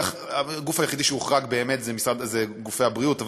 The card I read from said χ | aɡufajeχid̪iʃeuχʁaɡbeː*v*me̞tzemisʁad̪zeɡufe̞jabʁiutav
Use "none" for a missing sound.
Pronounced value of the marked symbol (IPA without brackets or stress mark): none